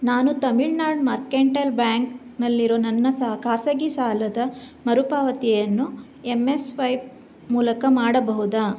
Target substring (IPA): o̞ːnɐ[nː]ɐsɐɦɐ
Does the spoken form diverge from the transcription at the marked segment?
no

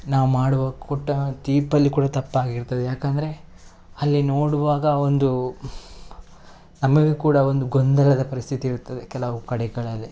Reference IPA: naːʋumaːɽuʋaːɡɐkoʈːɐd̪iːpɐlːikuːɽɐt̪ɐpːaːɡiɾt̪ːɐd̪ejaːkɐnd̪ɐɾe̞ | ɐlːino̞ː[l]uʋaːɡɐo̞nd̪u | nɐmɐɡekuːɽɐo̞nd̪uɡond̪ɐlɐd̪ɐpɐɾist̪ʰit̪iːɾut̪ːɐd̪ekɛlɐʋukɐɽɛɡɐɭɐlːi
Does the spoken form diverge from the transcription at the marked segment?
yes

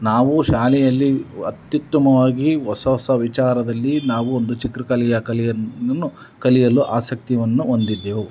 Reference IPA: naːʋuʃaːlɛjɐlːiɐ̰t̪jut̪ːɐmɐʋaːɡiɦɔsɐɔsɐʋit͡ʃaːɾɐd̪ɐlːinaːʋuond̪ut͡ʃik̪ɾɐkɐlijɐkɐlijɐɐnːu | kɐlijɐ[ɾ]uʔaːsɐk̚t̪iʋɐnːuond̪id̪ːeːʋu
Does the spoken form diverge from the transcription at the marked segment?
yes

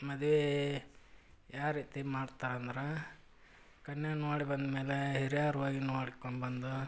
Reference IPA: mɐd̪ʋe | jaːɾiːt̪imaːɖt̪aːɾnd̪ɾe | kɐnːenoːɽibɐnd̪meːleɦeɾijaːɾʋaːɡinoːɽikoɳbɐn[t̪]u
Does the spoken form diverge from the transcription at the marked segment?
yes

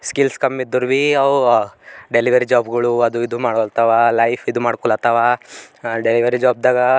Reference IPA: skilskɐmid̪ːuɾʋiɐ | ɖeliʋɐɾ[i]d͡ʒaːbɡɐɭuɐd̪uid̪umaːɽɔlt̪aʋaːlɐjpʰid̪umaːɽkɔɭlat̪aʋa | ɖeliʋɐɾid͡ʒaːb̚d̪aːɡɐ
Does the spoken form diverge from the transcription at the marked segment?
no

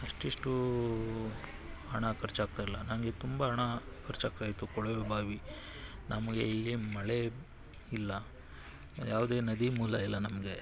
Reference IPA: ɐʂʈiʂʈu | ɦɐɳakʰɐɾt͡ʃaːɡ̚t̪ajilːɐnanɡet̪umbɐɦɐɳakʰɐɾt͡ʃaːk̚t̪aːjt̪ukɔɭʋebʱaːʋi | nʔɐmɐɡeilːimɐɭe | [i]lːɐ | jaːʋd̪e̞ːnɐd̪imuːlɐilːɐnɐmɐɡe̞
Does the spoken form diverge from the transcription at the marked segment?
no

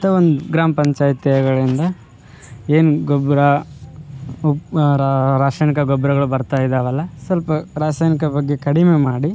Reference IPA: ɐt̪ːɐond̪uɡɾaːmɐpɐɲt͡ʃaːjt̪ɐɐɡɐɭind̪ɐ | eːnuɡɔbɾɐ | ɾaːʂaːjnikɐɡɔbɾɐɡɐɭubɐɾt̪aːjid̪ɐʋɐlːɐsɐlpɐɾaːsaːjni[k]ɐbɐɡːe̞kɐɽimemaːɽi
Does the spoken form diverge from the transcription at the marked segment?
no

